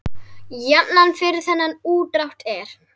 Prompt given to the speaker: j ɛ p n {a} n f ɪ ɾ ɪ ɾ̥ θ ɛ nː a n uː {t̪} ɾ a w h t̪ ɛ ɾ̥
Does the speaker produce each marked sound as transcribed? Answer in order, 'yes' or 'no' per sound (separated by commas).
yes, yes